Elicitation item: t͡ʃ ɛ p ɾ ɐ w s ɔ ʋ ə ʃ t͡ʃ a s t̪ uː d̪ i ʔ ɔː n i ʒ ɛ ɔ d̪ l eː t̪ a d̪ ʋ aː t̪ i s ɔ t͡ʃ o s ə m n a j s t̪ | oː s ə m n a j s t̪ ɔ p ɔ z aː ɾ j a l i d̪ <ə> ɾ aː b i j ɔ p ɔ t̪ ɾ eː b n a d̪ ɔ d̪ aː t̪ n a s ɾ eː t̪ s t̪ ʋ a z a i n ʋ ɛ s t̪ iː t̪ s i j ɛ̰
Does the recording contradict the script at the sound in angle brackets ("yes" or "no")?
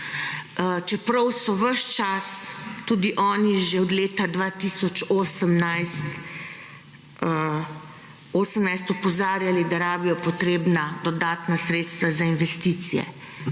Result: yes